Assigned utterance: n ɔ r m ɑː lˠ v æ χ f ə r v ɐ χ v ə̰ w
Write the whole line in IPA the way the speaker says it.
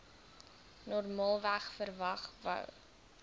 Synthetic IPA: n ɔ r m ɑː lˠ v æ χ f ə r v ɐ χ v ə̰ w